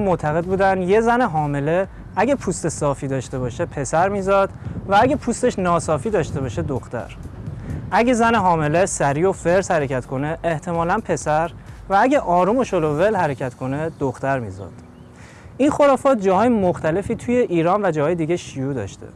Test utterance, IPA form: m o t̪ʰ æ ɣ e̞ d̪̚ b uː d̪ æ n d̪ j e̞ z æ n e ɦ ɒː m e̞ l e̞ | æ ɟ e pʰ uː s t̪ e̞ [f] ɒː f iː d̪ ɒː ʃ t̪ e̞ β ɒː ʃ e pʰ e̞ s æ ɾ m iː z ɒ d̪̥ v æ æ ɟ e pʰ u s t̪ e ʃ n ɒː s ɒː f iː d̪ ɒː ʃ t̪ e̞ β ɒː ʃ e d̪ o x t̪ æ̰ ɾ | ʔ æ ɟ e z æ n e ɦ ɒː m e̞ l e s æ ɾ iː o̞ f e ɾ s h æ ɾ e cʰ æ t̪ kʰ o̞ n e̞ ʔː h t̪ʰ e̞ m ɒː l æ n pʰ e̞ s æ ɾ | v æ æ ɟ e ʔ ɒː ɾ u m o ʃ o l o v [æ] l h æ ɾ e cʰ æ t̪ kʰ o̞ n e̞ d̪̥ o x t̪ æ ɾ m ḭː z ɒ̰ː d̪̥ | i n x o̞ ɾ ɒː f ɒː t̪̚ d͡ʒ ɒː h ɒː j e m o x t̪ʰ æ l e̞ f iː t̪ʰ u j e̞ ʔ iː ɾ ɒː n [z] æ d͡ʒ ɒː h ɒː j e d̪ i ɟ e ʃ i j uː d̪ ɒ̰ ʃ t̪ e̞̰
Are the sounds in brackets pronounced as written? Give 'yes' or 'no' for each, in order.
no, no, no

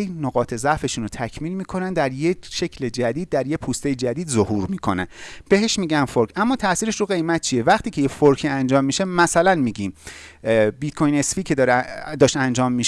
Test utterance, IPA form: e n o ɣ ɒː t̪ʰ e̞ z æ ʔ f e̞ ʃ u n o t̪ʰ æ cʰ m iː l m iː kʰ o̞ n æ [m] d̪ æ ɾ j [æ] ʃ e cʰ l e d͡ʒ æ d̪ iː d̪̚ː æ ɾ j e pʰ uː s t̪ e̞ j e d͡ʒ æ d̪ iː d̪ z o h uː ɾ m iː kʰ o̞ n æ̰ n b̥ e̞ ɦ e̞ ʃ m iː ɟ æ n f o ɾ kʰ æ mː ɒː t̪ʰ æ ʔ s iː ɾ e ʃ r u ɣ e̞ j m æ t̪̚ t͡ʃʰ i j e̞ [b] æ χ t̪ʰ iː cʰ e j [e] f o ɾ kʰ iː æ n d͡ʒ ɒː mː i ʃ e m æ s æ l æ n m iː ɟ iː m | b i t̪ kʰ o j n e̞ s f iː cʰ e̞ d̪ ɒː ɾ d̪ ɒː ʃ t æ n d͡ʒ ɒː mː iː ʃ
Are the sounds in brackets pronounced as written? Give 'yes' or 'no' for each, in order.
no, no, no, yes

